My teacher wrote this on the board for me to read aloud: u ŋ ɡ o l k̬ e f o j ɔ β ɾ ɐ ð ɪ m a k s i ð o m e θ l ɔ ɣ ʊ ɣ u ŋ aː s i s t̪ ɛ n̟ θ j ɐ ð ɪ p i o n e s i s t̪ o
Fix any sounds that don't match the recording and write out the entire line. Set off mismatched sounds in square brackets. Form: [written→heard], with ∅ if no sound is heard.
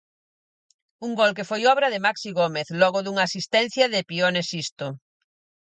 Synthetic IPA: u ŋ ɡ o l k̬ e f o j ɔ β ɾ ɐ ð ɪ m a k s i [ð→ɣ] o m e θ l ɔ ɣ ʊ [ɣ→ð] u ŋ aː s i s t̪ ɛ n̟ θ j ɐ ð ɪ p i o n e s i s t̪ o

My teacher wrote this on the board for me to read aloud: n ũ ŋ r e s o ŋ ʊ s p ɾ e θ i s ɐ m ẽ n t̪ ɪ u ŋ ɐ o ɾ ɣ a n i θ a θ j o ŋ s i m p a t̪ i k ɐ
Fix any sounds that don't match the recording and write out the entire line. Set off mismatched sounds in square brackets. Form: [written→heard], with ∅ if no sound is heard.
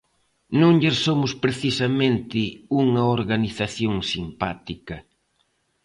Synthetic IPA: n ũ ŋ [r→ʎ] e s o [ŋ→m] ʊ s p ɾ e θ i s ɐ m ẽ n t̪ ɪ u ŋ ɐ o ɾ ɣ a n i θ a θ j o ŋ s i m p a t̪ i k ɐ

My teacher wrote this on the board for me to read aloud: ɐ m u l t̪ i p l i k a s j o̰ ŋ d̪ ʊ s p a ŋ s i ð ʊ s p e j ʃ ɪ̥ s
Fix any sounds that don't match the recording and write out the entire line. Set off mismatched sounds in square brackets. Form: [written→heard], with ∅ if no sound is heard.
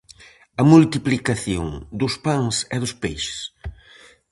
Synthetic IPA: ɐ m u l t̪ i p l i k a [s→θ] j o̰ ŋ d̪ ʊ s p a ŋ s [i→ɛ] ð ʊ s p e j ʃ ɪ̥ s

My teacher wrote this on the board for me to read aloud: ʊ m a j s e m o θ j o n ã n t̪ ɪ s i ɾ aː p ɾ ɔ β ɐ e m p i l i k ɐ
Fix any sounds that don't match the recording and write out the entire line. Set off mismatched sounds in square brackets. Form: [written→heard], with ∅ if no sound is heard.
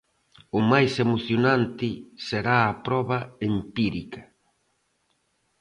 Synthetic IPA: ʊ m a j s e m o θ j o n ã n t̪ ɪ s [i→e] ɾ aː p ɾ ɔ β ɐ e m p i [l→ɾ] i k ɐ

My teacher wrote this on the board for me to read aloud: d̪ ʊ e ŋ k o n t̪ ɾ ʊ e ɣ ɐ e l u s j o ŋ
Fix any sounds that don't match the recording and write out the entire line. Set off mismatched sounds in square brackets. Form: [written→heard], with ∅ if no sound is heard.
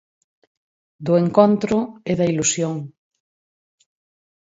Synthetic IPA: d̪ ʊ e ŋ k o n t̪ ɾ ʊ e [ɣ→ð] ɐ [e→i] l u s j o ŋ

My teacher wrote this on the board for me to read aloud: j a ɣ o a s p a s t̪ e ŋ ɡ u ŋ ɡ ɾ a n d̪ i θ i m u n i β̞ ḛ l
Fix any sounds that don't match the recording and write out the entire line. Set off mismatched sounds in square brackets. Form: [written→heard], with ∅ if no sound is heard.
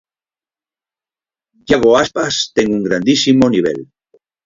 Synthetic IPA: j a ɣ o a s p a s t̪ e ŋ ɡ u ŋ ɡ ɾ a n d̪ i [θ→s] i m [u→o] n i β̞ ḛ l

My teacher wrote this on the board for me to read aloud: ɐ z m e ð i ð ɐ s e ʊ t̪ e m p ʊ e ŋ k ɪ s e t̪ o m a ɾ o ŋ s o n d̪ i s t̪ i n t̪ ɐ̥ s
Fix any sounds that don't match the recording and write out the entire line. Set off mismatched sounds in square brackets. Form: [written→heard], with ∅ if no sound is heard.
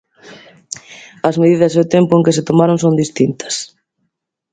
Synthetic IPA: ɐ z m e ð i ð ɐ s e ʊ t̪ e m p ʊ e ŋ k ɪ s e t̪ o m a ɾ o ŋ s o n d̪ i s t̪ i n t̪ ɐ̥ s

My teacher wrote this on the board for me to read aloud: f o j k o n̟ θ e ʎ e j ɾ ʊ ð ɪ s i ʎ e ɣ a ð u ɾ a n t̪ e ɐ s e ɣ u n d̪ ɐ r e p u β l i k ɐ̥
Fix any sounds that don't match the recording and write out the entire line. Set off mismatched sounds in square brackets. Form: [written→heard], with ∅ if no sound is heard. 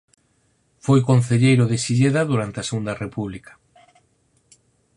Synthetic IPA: f o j k o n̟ θ e ʎ e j ɾ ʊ ð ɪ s i ʎ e [ɣ→ð] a ð u ɾ a n t̪ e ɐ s e ɣ u n d̪ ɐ r e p u β l i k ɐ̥

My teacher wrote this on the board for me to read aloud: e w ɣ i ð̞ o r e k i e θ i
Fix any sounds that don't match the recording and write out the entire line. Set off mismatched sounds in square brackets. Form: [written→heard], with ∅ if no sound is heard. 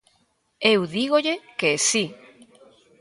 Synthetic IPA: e w [ɣ→ð] i [ð̞→ɣ̞] o [r→ʎ] e k [i→e] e [θ→s] i

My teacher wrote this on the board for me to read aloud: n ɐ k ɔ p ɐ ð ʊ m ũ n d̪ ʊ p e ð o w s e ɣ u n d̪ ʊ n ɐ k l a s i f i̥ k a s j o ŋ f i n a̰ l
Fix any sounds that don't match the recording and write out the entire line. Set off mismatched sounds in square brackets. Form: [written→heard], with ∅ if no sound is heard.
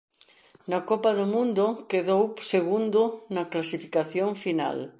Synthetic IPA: n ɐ k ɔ p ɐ ð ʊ m ũ n d̪ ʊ [p→k] e ð o w s e ɣ u n d̪ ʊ n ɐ k l a s i f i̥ k a [s→θ] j o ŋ f i n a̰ l

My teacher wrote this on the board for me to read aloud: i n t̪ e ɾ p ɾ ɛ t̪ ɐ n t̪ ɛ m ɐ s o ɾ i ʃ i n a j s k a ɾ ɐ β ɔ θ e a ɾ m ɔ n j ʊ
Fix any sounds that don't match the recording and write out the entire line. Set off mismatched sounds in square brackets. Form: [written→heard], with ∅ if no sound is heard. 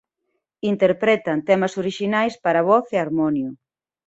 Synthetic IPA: i n t̪ e ɾ p ɾ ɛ t̪ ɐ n t̪ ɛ m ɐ s o ɾ i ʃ i n a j s [k→p] a ɾ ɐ β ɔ θ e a ɾ m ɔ n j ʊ

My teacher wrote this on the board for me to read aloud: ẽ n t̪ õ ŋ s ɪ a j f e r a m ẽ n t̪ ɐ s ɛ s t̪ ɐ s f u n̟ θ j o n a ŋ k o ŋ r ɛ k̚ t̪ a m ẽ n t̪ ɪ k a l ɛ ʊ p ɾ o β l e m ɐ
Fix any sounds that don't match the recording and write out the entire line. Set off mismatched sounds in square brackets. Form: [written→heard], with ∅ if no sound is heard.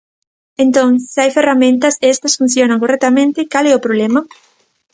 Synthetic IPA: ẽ n t̪ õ ŋ s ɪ a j f e r a m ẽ n t̪ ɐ s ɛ s t̪ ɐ s f u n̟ θ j o n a ŋ k o [ŋ→∅] r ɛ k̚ t̪ a m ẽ n t̪ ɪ k a l ɛ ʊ p ɾ o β l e m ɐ

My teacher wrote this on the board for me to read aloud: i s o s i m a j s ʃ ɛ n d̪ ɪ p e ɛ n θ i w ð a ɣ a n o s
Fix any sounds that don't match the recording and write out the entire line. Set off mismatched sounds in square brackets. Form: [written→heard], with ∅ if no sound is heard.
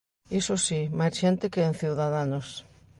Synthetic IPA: i s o s i m a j s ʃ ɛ n [d̪→t̪] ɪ [p→k] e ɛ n θ i w ð a [ɣ→ð] a n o s

